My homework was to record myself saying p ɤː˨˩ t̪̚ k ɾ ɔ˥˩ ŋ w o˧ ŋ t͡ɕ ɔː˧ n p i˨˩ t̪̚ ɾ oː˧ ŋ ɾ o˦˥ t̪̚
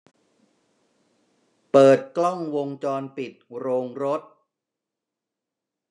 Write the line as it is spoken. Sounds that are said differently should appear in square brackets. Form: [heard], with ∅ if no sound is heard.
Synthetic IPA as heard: p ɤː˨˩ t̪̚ k [l] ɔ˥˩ ŋ w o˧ ŋ t͡ɕ ɔː˧ n p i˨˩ t̪̚ ɾ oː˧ ŋ ɾ o˦˥ t̪̚